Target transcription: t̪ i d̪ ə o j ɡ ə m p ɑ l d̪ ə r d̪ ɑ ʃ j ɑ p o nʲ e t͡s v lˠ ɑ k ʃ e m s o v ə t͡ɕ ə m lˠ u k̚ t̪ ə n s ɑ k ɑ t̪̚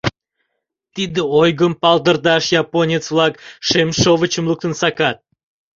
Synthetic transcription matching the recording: t̪ i d̪ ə o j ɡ ə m p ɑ l d̪ ə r d̪ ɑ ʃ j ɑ p o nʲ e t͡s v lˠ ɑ k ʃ e m ʃ o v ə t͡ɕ ə m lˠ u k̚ t̪ ə n s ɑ k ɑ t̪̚